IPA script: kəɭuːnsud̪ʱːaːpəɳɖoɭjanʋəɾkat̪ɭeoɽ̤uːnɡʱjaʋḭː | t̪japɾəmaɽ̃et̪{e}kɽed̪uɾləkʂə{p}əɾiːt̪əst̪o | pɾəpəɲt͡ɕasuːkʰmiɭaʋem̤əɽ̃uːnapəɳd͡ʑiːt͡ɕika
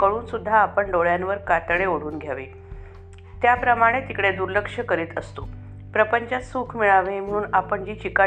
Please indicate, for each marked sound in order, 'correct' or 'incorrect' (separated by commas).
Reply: incorrect, incorrect